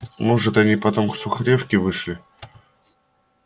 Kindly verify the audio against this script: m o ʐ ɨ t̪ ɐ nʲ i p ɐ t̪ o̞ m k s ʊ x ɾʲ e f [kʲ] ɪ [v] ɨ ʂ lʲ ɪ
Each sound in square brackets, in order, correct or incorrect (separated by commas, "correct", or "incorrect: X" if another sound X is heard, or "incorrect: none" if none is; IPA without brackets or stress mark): correct, correct